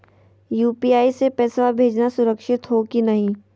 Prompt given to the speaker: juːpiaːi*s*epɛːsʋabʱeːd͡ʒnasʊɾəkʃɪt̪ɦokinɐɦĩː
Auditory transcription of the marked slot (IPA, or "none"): s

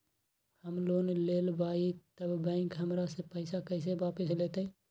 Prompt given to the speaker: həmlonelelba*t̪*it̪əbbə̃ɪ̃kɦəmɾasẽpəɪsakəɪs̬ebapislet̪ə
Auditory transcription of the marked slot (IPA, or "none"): none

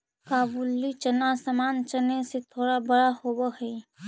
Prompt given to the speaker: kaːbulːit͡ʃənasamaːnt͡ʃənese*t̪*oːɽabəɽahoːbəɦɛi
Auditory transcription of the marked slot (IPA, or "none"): t̪ʰ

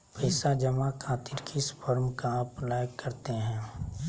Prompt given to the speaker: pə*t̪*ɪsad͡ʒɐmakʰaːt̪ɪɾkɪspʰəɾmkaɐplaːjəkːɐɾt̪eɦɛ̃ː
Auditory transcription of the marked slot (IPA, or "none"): none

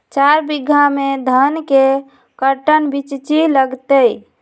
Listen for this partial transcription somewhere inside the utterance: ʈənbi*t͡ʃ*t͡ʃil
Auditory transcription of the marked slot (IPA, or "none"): t͡ʃ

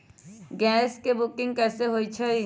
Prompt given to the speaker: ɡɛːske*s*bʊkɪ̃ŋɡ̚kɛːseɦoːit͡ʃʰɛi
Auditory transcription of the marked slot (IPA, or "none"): none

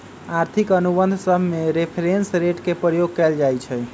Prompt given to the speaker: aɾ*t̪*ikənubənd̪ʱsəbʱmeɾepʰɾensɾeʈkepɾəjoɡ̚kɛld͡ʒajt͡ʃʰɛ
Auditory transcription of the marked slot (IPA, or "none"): t̪ʰ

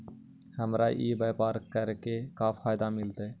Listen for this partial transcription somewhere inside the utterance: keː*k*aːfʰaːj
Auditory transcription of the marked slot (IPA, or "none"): k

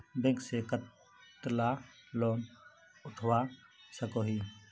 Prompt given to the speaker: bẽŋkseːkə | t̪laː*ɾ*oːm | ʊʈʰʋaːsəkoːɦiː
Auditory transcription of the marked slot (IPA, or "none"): l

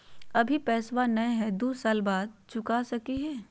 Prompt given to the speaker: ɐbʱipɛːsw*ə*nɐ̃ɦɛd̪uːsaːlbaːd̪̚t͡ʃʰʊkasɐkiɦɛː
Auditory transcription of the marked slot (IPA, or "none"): a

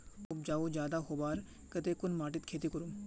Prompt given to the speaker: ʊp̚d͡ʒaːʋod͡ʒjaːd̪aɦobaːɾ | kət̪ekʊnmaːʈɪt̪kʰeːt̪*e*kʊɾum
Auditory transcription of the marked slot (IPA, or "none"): i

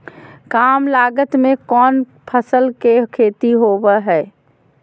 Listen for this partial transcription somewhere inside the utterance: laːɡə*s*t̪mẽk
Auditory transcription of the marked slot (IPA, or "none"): none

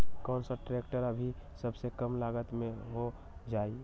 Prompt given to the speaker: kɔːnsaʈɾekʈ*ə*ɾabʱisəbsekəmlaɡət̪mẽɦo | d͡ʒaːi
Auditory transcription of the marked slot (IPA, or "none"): ə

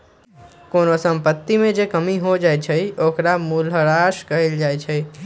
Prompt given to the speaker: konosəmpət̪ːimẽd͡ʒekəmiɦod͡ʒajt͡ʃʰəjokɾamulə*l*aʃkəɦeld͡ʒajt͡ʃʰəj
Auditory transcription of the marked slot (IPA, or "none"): ɾ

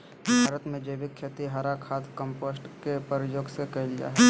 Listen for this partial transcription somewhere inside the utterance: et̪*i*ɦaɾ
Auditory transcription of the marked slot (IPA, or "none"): i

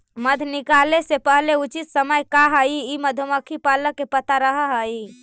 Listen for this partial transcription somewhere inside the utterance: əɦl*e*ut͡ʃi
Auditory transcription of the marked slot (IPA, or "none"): e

